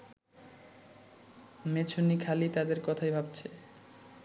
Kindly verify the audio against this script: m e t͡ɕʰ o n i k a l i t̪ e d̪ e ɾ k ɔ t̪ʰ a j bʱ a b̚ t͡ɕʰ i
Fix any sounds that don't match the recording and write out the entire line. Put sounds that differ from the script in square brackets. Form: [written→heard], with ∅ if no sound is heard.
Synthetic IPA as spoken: m e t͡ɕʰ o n i [k→kʰ] a l i t̪ [e→a] d̪ e ɾ k ɔ t̪ʰ a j bʱ a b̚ t͡ɕʰ [i→e]